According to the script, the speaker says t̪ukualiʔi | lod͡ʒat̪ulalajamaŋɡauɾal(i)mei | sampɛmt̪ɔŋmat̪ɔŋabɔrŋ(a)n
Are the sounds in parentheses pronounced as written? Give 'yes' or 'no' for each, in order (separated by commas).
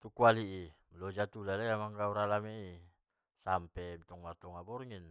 no, no